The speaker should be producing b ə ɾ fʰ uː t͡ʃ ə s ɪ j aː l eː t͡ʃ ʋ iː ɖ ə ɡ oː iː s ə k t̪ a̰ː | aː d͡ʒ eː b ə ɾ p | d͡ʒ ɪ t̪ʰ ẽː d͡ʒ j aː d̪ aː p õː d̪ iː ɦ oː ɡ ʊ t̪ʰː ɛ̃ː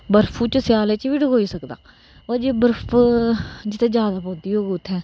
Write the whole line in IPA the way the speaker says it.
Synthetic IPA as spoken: b ə ɾ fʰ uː t͡ʃ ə s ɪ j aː l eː t͡ʃ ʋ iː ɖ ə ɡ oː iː s ə k d̪ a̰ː | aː d͡ʒ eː b ə ɾ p | d͡ʒ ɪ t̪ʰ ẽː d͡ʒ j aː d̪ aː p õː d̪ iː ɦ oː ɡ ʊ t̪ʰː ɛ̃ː

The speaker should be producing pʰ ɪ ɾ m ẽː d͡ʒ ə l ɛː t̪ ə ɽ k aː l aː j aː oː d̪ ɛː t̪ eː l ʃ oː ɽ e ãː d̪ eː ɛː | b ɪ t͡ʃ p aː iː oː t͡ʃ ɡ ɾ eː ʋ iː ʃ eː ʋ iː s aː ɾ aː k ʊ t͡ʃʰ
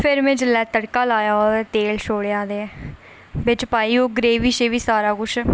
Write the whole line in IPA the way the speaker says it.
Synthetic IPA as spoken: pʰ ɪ ɾ m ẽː d͡ʒ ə l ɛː t̪ ə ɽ k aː l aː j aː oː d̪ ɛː t̪ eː l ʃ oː ɽ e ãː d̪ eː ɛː | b ɪ t͡ʃ p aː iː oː ɡ ɾ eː ʋ iː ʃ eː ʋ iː s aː ɾ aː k ʊ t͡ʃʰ

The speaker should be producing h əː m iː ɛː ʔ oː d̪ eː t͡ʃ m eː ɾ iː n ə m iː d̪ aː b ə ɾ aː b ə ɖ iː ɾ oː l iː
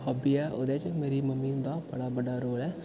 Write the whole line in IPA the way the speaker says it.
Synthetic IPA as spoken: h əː b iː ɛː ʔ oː d̪ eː t͡ʃ m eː ɾ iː m ə m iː d̪ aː b ə ɽ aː b ə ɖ aː ɾ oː l ɛː

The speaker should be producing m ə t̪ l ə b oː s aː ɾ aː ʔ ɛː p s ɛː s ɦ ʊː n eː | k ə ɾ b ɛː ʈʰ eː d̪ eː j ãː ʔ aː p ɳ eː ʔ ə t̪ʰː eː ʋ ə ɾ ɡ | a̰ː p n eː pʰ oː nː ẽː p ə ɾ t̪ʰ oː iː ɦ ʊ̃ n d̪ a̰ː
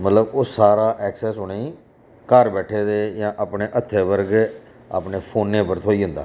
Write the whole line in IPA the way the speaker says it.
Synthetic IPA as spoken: m ə t̪ l ə b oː s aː ɾ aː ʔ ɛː k s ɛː s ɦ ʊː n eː | k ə ɾ b ɛː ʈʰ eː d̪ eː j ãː ʔ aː p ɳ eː ʔ ə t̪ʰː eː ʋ ə ɾ ɡ | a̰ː p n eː pʰ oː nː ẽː p ə ɾ t̪ʰ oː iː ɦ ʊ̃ n d̪ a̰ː

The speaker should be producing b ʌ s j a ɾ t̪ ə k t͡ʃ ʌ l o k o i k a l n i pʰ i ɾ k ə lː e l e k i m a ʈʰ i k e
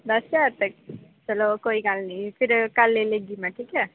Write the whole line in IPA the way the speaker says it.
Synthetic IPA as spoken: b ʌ s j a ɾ t̪ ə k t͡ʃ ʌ l o k o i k a l n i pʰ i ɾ k a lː e l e ɡ i m a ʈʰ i k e

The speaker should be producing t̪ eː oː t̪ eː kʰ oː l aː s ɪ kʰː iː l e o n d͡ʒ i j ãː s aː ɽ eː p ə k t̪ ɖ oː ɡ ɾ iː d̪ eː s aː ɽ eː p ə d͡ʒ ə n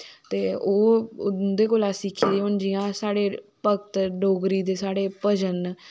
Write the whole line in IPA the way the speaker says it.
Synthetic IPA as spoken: t̪ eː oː d̪ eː k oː l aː s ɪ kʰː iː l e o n d͡ʒ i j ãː s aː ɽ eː p ə k t̪ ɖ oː ɡ ɾ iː d̪ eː s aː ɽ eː p ə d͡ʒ ə n

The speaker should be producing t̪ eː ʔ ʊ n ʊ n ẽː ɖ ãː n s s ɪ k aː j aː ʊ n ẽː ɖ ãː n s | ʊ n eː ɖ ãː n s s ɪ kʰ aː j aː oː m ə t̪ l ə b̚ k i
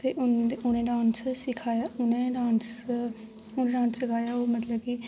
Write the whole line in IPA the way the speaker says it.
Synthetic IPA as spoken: t̪ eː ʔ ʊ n ʊ n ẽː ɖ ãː n s s ɪ kʰ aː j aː ʊ n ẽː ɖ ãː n s | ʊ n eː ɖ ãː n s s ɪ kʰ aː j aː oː m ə t̪ l ə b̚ k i

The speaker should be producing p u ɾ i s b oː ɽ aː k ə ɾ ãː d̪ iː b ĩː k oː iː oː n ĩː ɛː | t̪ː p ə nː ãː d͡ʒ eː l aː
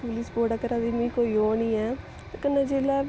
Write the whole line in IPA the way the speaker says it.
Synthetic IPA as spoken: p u l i s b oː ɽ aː k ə ɾ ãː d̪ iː m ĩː k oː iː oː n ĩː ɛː | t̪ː k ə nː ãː d͡ʒ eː l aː

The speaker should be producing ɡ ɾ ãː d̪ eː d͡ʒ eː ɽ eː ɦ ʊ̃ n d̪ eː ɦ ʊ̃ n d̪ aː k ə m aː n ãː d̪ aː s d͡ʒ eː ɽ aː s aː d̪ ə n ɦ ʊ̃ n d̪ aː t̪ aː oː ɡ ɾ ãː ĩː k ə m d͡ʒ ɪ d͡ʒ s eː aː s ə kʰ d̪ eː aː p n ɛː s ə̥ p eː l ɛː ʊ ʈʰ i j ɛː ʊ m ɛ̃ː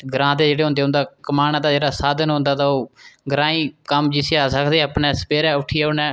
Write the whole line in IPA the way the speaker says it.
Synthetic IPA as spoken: ɡ ɾ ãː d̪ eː d͡ʒ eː ɽ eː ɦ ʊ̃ n d̪ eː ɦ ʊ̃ n d̪ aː k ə m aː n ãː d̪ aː d͡ʒ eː ɽ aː s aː d̪ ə n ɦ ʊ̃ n d̪ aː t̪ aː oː ɡ ɾ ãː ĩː k ə m d͡ʒ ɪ s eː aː s ə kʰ d̪ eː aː p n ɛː s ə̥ p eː ɾ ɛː ʊ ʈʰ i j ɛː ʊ n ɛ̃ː

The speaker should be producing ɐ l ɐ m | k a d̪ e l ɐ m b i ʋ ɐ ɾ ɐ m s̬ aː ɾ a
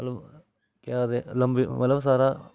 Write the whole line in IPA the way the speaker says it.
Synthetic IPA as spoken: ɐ l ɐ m | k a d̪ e l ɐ m b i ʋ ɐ l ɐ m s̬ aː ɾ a

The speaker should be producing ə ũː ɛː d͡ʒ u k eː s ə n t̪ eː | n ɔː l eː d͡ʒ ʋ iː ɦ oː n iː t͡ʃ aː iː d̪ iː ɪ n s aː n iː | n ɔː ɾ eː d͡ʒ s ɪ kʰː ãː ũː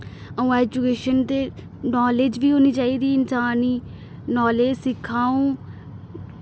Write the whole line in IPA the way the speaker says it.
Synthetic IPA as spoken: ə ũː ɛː d͡ʒ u k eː ʃ ə n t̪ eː | n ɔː l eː d͡ʒ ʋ iː ɦ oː n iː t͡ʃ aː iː d̪ iː ɪ n s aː n iː | n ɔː l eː d͡ʒ s ɪ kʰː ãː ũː

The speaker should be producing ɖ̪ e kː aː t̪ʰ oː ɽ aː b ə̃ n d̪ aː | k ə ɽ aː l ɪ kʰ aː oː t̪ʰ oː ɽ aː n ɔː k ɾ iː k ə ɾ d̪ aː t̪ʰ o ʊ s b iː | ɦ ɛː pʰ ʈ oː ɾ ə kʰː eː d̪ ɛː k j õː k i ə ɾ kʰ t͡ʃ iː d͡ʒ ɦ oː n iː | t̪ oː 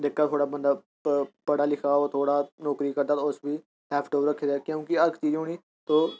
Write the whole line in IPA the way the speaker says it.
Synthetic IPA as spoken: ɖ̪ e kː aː t̪ʰ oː ɽ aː b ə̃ n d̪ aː | p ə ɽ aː l ɪ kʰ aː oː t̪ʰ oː ɽ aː n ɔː k ɾ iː k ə ɾ d̪ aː t̪ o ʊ s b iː | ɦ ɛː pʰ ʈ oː ɾ ə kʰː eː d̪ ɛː k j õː k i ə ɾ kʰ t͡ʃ iː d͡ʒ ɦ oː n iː | t̪ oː

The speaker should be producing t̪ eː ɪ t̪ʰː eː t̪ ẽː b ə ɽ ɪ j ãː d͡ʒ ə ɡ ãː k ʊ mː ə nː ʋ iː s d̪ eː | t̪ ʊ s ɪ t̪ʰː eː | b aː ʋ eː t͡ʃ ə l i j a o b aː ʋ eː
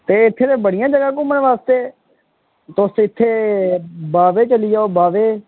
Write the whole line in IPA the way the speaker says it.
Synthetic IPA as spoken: t̪ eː ɪ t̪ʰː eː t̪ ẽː b ə ɽ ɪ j ãː d͡ʒ ə ɡ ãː k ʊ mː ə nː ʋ aː s t̪ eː | t̪ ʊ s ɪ t̪ʰː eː | b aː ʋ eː t͡ʃ ə l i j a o b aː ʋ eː

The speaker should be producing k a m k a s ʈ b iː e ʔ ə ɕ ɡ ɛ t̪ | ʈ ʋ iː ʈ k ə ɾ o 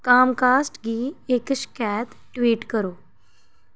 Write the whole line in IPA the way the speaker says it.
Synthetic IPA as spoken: k a m k a s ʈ ɡ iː e k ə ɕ k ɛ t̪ | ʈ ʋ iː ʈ k ə ɾ o

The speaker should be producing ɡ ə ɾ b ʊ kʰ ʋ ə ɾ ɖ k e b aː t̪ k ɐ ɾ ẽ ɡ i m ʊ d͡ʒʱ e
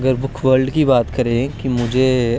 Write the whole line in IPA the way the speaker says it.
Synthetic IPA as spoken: ɡ ə ɾ b ʊ kʰ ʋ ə ɾ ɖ k i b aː t̪ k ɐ ɾ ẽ k i m ʊ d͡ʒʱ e

